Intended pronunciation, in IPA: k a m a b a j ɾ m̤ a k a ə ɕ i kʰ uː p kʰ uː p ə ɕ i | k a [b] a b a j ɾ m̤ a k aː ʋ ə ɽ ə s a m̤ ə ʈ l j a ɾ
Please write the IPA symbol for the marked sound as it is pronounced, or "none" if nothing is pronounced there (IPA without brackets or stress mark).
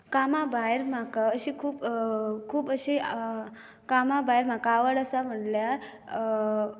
m